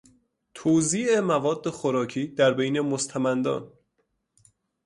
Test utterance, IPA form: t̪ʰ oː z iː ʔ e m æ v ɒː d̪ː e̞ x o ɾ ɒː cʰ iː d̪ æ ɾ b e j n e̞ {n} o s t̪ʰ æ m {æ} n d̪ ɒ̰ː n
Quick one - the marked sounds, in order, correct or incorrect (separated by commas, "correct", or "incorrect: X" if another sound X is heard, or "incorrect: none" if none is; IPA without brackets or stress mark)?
incorrect: m, correct